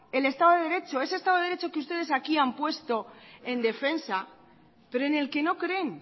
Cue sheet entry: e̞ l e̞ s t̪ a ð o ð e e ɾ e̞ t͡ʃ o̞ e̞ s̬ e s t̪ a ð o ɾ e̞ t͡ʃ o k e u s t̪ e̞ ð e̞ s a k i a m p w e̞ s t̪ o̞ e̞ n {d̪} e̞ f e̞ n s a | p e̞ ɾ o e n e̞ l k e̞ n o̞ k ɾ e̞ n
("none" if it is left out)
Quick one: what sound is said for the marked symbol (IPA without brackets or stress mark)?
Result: d̪